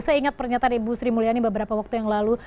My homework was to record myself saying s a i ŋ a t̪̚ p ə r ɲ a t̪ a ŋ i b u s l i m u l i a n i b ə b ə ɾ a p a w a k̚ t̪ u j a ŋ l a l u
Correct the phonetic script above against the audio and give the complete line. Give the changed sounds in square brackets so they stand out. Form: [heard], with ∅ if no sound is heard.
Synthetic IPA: s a i ŋ a t̪̚ p ə r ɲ a t̪ a [n] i b u s [ɾ] i m u l i a n i b ə b ə ɾ a p a w a k̚ t̪ u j a ŋ l a l u

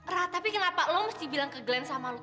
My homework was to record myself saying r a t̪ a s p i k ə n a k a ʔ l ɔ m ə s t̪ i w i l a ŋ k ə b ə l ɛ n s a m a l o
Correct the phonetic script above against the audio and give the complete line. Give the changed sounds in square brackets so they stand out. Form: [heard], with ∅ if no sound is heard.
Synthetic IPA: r a t̪ a [∅] p i k ə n a [p] a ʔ l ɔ m ə s t̪ i [b] i l a ŋ k ə [ɡ] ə l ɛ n s a m a l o

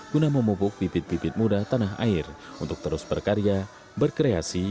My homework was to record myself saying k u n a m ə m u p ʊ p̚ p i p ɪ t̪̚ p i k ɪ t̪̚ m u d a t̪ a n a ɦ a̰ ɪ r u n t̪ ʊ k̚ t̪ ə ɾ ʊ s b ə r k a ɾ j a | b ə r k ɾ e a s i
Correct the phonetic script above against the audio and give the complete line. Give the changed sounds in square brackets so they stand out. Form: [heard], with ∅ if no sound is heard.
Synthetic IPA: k u n a m ə m u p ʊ [k̚] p i p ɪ t̪̚ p i [p] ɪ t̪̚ m u d a t̪ a n a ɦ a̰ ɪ r u n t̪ ʊ k̚ t̪ ə ɾ ʊ s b ə r k a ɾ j a | b ə r k ɾ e a s i

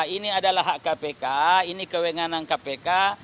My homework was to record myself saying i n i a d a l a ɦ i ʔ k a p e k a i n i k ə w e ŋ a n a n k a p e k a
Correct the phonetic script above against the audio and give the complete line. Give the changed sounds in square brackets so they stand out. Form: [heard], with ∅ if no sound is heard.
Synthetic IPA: i n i a d a l a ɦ [a] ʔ k a p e k a i n i k ə w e ŋ a n a n k a p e k a

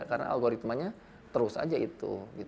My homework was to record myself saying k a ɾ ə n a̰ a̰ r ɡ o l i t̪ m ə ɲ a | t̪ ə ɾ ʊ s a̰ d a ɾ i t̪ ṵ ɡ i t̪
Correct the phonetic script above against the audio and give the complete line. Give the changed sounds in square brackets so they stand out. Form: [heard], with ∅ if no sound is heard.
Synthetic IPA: k a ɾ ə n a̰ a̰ [l] ɡ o [ɾ] i t̪ m [a] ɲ a | t̪ ə ɾ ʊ s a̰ [d͡ʒ] a [∅] i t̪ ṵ ɡ i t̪

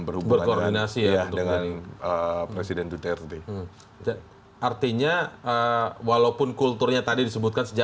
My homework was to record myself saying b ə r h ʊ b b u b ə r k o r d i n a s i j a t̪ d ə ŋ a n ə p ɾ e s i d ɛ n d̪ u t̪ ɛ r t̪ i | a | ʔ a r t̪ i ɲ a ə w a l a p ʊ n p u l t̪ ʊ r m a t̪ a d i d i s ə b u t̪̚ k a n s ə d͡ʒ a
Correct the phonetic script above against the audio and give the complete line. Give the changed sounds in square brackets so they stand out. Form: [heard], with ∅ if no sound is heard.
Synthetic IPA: b ə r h [u] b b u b ə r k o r d i n a s i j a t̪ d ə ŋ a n ə p ɾ e s i d ɛ n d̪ u t̪ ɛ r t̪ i | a | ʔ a r t̪ i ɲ a ə w a l a p ʊ n [k] u l t̪ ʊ r [ɲ] a t̪ a d i d i s ə b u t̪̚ k a n s ə d͡ʒ a

